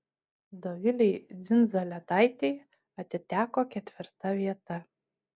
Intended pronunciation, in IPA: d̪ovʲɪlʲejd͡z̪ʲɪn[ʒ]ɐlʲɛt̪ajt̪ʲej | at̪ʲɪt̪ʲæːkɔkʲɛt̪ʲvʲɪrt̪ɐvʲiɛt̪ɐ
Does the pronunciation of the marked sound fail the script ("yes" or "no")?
yes